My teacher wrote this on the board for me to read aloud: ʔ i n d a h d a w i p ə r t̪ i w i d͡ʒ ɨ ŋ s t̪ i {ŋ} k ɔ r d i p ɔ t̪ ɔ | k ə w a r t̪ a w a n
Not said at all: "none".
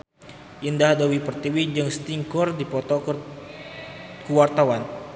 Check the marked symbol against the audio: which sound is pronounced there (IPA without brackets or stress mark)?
ŋ